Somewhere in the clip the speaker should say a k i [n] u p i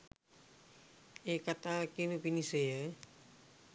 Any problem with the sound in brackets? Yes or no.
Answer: no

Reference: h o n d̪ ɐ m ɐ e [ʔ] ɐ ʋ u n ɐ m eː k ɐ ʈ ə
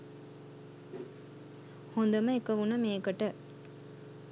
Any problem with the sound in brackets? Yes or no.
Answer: yes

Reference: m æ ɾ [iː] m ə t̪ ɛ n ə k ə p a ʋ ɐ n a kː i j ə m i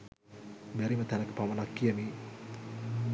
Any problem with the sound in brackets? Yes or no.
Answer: yes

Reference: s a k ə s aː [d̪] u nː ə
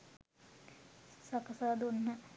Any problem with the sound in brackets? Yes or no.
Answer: no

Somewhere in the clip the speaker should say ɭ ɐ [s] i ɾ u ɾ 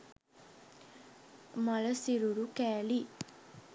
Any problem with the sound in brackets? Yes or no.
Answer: no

